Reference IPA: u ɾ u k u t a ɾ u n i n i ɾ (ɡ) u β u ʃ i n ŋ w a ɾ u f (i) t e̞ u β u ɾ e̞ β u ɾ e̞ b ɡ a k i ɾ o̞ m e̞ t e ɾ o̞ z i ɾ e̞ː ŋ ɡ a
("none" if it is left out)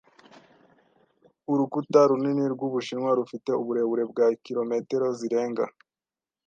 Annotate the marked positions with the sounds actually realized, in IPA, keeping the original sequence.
ɡ, i

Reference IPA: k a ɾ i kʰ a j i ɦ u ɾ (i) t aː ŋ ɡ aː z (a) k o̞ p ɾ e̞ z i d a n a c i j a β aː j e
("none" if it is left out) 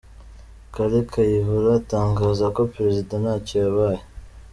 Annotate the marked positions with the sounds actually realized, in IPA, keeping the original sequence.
a, a

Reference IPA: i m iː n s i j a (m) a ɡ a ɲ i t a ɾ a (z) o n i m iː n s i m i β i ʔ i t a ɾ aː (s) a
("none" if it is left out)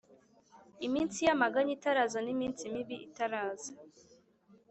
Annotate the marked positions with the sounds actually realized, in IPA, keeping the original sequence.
m, z, z

